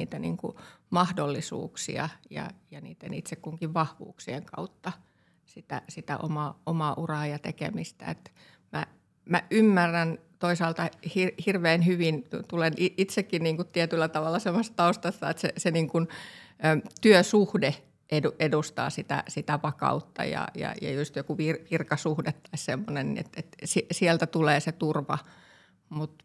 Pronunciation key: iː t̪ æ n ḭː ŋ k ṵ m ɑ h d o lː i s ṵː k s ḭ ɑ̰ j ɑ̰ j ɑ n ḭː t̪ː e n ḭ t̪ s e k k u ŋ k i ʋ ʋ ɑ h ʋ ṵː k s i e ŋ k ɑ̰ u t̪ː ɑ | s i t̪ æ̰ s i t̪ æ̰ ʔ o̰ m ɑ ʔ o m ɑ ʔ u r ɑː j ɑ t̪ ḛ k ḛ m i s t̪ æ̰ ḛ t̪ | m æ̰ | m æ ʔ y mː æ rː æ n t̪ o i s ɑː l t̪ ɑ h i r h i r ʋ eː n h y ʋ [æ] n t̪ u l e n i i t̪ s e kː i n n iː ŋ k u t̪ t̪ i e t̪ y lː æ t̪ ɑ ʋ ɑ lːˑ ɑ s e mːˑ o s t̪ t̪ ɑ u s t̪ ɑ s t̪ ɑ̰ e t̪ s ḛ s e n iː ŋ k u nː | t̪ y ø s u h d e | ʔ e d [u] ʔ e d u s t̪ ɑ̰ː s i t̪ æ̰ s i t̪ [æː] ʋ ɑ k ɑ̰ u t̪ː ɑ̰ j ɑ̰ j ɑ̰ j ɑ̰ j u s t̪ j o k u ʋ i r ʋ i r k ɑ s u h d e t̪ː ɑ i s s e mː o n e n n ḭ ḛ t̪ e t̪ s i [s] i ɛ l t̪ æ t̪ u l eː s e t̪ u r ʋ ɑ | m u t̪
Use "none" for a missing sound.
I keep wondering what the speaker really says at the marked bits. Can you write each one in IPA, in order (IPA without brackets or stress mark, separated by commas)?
i, u, æ, s